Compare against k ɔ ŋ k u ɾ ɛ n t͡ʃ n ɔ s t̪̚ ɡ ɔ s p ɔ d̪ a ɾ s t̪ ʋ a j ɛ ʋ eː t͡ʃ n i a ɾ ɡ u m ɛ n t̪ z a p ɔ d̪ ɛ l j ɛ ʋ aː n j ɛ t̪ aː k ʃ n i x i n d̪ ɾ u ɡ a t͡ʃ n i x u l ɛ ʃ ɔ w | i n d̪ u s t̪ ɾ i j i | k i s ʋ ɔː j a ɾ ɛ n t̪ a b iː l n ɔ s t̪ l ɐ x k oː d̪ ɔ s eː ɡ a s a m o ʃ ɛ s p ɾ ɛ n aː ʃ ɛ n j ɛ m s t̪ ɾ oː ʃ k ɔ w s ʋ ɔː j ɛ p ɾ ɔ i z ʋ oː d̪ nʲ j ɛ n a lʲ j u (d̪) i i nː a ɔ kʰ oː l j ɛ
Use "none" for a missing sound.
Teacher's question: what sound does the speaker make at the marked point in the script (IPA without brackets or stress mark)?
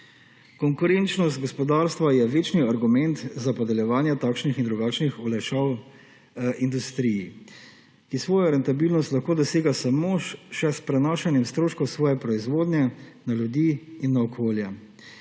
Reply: d̪